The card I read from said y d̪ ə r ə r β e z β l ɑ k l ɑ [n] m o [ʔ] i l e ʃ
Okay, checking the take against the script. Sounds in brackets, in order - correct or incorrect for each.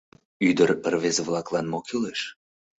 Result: correct, incorrect

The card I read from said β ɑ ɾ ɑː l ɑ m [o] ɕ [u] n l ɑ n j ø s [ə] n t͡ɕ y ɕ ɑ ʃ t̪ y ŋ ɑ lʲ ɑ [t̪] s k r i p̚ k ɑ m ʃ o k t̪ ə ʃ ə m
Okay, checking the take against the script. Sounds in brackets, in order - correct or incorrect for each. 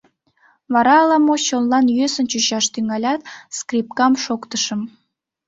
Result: correct, incorrect, correct, correct

